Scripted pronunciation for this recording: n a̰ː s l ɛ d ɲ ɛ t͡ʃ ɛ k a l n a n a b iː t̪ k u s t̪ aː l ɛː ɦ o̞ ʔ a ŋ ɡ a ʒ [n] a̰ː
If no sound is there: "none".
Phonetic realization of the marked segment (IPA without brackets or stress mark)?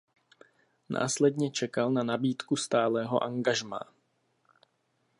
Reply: m